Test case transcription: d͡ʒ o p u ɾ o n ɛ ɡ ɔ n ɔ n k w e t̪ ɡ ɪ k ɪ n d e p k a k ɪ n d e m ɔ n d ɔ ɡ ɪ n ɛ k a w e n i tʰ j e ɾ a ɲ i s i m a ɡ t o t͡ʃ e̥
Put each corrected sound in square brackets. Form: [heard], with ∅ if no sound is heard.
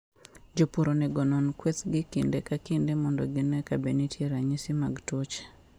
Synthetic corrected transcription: d͡ʒ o p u ɾ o n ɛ ɡ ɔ n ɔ n k w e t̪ ɡ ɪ k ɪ n d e [∅] k a k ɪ n d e m ɔ n d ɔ ɡ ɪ n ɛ k a [b] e n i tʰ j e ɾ a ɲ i s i m a ɡ t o t͡ʃ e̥